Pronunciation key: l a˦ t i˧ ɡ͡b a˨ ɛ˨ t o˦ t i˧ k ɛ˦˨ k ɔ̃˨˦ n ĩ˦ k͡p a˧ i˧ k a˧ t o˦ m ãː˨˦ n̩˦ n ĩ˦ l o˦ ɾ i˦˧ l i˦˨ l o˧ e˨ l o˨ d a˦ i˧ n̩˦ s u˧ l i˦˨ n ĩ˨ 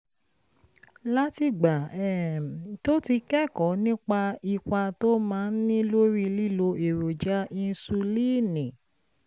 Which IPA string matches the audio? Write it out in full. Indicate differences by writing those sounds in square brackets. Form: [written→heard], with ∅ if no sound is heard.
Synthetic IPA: l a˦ t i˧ ɡ͡b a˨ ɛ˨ t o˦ t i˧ k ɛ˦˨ k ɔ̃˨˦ n ĩ˦ k͡p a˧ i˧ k a˧ t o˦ m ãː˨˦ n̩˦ n ĩ˦ l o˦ ɾ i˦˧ l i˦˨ l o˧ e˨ [l→ɾ] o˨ [d→d͡ʒ] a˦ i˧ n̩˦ s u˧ l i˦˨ n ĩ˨